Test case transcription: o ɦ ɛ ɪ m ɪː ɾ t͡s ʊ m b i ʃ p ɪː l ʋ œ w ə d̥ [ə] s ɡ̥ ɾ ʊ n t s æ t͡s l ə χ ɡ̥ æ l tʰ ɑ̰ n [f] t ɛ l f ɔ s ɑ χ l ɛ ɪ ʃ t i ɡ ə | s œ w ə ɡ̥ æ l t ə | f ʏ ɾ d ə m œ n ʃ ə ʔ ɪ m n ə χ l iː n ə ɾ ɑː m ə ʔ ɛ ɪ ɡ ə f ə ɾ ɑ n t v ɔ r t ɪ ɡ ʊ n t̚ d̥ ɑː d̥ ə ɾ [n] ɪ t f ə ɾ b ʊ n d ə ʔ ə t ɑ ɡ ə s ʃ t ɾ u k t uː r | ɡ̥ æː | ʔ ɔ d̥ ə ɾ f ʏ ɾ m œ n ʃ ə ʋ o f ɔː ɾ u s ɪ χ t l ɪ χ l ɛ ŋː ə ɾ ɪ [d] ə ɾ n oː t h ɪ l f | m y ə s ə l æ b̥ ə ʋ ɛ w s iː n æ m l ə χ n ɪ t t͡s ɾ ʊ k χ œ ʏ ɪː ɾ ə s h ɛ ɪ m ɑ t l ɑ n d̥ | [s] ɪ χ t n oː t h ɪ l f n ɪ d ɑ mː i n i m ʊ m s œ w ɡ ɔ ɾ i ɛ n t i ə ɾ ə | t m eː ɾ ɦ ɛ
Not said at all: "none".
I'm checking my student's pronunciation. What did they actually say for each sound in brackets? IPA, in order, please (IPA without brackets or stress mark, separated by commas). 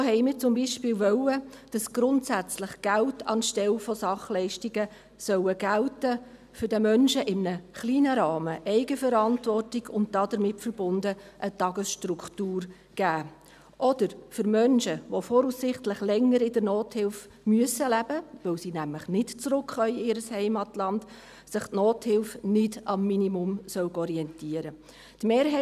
ɑ, ʃ, m, d, s